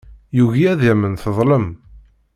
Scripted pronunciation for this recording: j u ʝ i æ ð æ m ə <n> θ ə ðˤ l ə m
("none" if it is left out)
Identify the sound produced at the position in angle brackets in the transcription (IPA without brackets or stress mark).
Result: n